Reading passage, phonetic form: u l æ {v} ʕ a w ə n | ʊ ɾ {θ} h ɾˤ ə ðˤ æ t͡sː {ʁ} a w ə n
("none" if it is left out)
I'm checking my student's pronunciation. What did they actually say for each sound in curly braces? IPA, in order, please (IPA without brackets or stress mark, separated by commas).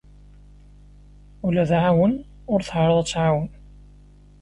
ð, θ, ʕ